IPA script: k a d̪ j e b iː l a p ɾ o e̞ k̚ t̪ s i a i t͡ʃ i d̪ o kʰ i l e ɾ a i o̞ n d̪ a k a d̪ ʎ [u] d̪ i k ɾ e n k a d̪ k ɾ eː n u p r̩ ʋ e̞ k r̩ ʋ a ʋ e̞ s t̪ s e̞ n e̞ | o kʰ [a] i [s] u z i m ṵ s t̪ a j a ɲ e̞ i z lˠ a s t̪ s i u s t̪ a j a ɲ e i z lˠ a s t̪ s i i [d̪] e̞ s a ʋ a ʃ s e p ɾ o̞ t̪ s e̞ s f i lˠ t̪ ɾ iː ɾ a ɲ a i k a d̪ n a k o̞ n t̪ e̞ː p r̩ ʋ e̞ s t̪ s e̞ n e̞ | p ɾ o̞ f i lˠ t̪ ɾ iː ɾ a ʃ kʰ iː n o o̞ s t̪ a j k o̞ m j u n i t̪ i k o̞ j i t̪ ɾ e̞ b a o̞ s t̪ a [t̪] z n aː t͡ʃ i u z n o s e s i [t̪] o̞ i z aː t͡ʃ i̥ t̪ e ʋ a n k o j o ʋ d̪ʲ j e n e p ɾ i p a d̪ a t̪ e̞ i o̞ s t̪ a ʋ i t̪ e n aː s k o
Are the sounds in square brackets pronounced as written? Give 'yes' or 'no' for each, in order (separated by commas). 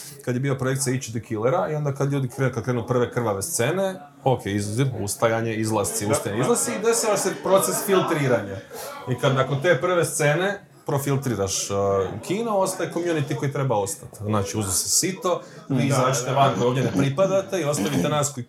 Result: no, no, no, yes, yes, yes